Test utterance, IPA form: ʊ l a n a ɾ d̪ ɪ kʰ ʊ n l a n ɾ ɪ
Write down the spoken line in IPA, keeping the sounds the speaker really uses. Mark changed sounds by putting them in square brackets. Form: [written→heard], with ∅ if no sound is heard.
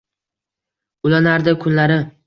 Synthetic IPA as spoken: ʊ l a n a ɾ d̪ ɪ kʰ ʊ n l a [n→∅] ɾ ɪ